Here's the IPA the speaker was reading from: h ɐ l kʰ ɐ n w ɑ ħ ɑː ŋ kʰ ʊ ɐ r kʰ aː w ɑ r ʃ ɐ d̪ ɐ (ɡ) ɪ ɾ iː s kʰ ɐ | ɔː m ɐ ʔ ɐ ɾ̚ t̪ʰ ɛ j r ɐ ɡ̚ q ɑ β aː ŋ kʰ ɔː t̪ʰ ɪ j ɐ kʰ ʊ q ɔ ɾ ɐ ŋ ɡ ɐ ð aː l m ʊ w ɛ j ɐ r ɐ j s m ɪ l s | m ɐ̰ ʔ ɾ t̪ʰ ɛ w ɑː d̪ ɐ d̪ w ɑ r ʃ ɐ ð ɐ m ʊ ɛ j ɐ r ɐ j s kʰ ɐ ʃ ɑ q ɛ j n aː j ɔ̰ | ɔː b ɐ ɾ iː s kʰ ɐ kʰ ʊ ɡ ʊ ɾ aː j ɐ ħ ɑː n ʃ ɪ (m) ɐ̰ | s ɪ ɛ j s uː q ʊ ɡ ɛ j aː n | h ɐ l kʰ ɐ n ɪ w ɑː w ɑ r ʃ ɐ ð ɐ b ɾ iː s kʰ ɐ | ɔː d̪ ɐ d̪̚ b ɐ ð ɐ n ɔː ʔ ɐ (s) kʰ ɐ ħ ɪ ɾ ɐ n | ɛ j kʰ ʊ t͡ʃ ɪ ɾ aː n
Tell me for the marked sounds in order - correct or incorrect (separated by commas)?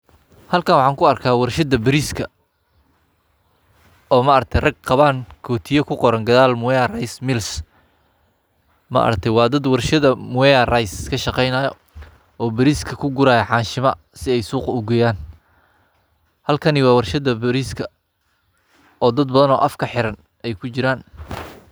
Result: incorrect, correct, incorrect